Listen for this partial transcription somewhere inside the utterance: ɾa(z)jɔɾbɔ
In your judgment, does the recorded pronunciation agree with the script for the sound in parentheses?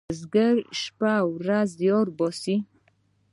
yes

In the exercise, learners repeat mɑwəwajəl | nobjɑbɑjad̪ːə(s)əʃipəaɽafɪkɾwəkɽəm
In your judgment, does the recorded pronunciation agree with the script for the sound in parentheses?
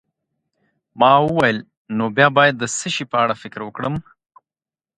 yes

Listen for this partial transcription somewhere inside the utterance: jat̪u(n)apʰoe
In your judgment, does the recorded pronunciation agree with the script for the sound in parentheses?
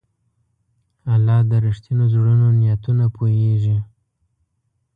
yes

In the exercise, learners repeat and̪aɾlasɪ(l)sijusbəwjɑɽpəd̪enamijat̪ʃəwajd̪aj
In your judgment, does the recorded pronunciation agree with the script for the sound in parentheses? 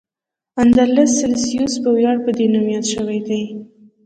yes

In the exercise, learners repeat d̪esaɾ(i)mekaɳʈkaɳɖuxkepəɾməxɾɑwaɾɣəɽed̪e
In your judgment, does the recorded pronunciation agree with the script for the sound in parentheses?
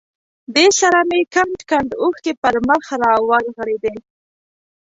no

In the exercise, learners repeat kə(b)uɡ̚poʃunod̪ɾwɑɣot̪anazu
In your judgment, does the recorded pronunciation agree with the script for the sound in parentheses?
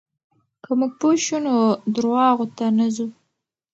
no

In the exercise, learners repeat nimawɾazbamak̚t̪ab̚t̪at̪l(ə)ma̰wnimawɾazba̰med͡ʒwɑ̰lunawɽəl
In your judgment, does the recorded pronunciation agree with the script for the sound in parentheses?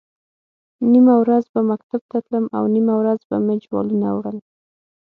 yes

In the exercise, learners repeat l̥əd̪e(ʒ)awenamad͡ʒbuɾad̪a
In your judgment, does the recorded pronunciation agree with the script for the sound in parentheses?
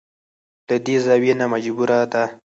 no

